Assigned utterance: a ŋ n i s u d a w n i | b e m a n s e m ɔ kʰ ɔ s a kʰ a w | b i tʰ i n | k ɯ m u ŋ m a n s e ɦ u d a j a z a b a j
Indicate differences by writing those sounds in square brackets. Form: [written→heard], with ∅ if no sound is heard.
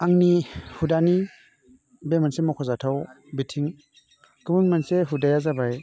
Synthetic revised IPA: a ŋ n i [s→h] u d a [w→∅] n i | b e m a n s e m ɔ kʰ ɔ [s→z] a [kʰ→tʰ] a w | b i tʰ i [n→ŋ] | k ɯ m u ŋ m a n s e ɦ u d a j a z a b a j